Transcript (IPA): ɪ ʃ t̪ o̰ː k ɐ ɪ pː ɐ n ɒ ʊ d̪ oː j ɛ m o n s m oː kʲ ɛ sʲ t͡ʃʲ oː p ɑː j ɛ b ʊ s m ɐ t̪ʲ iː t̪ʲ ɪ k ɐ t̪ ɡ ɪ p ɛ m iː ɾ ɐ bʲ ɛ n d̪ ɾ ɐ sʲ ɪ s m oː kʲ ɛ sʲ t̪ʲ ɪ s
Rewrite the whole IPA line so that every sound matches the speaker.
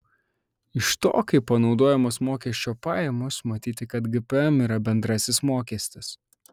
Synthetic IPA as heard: ɪ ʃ t̪ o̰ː k ɐ ɪ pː ɐ n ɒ ʊ d̪ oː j ɛ m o s m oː kʲ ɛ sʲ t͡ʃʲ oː p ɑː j ɛ m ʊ s m ɐ t̪ʲ iː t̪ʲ ɪ k ɐ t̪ ɡ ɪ p ɛ m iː ɾ ɐ bʲ ɛ n d̪ ɾ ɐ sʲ ɪ s m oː kʲ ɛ sʲ t̪ʲ ɪ s